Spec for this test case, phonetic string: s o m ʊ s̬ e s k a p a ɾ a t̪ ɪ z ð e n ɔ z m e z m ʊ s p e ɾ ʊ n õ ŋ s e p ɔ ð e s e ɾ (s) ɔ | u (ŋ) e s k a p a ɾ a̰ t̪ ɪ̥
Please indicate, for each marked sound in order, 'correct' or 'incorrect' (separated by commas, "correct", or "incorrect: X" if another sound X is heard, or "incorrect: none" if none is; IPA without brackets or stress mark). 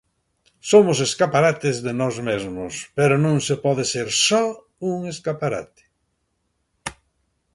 correct, correct